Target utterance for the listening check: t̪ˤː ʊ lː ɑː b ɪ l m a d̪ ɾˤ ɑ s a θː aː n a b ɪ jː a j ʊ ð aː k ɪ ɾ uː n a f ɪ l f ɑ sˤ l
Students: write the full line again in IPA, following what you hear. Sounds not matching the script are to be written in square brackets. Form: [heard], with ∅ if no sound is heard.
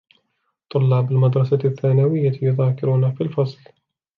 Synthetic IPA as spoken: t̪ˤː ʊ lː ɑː b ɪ l m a d̪ ɾˤ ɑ s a θː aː n a [w] ɪ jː a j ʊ ð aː k ɪ ɾ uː n a f [i] l f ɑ sˤ l